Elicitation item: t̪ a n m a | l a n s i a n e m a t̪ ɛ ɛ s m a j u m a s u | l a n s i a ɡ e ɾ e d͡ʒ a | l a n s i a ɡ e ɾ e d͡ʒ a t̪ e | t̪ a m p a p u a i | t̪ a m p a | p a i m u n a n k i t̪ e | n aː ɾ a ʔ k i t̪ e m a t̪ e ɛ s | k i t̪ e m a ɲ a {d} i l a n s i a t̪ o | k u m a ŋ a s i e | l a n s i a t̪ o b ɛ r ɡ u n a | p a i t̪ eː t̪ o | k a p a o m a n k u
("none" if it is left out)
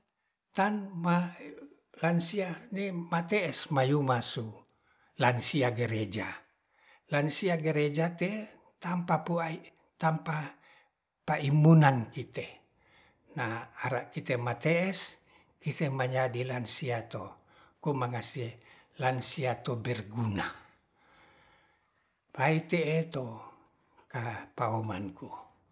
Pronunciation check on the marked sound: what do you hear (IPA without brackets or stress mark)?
d